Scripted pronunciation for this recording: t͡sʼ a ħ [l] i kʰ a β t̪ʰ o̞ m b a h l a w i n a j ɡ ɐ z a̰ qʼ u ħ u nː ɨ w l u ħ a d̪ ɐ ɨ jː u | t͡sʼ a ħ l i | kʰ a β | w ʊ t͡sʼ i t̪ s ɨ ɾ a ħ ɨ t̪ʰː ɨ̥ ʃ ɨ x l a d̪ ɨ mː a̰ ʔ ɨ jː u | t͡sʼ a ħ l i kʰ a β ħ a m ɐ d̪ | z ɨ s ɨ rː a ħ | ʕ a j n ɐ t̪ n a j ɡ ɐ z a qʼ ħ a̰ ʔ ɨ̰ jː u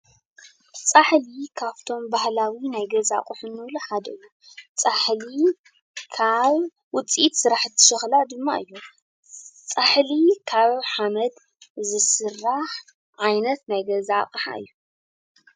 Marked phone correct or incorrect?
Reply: correct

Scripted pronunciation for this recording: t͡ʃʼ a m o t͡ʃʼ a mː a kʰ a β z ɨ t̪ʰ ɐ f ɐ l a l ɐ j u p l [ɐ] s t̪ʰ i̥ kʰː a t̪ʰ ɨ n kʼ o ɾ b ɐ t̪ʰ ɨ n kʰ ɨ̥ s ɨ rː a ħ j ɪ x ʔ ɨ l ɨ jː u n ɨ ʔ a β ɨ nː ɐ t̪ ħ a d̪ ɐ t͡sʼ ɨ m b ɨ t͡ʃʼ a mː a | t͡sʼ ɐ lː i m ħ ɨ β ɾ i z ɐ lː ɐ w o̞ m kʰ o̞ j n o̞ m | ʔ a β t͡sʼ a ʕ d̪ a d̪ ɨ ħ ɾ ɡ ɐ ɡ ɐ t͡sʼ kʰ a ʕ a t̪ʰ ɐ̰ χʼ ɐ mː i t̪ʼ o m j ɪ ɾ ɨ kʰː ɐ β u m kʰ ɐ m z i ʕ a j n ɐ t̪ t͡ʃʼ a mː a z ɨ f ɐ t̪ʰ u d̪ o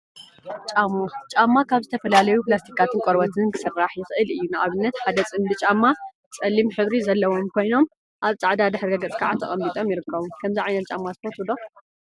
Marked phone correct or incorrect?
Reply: incorrect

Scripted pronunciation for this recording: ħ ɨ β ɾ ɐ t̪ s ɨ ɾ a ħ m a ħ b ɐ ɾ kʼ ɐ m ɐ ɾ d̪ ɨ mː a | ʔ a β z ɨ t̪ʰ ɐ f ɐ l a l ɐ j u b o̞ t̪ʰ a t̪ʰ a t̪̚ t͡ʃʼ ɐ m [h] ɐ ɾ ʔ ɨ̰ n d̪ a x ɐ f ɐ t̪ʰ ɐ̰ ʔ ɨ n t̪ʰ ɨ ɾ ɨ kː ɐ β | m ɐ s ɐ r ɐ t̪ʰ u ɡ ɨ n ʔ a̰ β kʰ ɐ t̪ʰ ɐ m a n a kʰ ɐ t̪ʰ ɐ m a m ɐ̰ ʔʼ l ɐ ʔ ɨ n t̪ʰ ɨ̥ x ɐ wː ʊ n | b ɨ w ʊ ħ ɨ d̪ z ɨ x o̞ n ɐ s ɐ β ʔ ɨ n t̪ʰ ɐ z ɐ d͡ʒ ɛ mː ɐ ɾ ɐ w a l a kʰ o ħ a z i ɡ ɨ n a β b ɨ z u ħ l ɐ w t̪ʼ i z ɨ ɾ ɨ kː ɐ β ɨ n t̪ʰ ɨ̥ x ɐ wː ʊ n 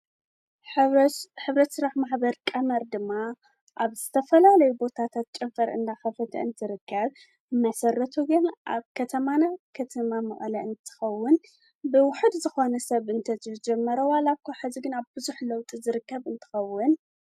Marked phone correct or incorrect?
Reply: incorrect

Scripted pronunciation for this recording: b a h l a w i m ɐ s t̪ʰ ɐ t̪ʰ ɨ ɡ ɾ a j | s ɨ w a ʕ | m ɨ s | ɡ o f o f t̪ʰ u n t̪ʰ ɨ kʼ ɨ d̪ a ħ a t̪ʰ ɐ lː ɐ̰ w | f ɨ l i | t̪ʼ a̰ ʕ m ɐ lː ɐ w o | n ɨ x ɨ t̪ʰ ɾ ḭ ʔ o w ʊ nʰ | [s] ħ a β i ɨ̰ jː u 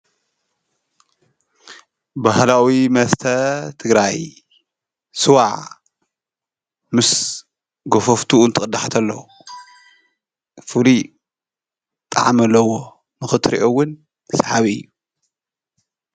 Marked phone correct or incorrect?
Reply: correct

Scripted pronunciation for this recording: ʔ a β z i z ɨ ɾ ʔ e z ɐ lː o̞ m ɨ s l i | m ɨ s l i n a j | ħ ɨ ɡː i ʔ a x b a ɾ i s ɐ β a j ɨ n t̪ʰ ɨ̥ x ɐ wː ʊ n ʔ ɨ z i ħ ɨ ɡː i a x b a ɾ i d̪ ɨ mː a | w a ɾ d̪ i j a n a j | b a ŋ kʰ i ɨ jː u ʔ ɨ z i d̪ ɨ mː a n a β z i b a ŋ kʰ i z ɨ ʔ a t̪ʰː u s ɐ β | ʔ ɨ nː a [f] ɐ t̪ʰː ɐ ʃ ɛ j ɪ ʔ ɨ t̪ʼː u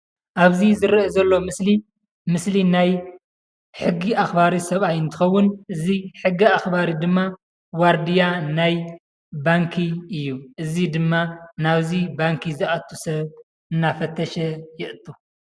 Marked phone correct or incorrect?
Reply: correct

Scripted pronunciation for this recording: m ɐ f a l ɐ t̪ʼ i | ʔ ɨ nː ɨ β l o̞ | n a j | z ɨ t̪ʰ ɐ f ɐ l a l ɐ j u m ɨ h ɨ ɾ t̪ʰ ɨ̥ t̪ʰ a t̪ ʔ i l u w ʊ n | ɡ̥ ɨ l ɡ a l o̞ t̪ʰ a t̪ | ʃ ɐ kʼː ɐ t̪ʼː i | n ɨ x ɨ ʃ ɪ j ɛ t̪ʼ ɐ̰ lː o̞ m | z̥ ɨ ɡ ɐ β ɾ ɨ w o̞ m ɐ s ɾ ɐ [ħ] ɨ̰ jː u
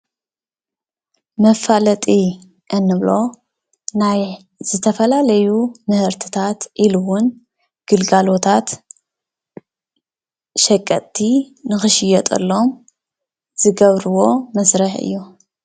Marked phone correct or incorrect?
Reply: correct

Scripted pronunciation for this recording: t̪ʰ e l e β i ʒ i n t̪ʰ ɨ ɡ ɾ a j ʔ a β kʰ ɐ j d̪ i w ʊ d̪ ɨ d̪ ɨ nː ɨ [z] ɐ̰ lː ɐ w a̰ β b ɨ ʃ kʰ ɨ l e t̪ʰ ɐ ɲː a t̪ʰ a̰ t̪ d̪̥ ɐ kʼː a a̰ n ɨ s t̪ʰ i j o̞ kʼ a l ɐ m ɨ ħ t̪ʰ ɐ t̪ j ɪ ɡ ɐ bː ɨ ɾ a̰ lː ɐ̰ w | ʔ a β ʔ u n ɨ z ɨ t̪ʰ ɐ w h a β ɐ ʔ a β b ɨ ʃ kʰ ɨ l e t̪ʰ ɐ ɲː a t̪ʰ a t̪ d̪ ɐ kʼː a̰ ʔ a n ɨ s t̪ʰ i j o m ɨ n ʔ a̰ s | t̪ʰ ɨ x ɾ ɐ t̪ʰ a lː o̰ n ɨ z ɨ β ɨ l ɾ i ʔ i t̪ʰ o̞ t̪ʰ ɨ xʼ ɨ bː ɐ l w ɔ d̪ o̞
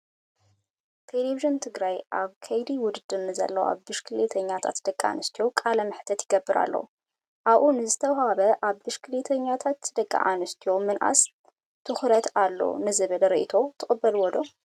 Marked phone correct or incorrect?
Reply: correct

